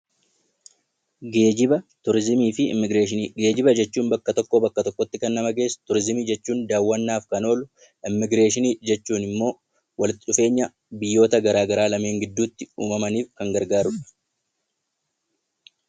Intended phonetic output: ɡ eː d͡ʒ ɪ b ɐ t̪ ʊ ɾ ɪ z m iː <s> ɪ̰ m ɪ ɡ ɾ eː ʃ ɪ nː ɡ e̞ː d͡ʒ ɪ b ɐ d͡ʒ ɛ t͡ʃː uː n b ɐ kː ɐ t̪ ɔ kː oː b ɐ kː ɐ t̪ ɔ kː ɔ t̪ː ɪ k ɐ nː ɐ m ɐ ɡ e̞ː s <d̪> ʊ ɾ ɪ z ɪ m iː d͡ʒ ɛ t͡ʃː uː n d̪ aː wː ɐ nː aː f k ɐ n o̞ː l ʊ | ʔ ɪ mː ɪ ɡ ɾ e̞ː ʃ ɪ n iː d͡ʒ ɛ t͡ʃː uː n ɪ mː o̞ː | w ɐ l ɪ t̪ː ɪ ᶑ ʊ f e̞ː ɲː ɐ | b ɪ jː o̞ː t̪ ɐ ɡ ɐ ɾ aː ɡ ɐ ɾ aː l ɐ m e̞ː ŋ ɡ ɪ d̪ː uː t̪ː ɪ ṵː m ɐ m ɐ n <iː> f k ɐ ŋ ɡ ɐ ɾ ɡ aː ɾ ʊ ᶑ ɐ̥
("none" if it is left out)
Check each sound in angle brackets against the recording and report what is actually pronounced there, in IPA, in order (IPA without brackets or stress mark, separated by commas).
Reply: f, t̪, iː